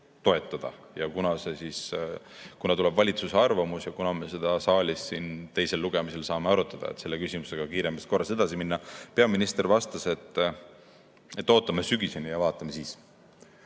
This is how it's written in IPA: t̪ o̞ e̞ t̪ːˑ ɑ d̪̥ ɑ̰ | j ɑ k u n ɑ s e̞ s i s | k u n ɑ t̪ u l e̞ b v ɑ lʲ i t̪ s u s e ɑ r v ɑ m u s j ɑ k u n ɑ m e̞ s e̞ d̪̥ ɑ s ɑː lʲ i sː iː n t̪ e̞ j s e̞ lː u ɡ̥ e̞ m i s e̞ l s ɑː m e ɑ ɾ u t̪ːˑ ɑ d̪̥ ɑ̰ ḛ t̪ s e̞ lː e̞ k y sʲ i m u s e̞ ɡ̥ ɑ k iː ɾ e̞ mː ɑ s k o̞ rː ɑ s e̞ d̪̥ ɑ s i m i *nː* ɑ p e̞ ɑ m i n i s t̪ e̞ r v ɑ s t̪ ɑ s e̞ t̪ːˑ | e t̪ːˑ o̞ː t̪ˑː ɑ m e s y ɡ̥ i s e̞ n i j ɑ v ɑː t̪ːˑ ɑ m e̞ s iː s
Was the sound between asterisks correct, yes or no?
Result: yes